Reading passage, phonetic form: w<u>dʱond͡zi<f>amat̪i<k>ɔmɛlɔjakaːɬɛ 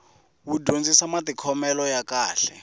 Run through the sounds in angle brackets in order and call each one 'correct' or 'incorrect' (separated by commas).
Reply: correct, incorrect, incorrect